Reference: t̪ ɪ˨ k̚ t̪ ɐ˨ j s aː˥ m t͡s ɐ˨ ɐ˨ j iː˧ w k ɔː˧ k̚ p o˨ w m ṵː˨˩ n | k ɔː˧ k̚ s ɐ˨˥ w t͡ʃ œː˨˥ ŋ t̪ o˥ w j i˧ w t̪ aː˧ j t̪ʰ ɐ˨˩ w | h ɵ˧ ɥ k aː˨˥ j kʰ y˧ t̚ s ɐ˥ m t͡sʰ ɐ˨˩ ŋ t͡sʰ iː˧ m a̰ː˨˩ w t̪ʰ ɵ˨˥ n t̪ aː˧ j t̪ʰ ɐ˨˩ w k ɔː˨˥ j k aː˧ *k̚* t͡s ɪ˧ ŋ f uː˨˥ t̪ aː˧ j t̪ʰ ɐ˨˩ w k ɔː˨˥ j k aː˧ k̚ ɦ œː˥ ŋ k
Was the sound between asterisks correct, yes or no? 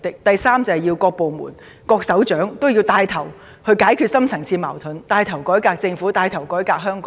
yes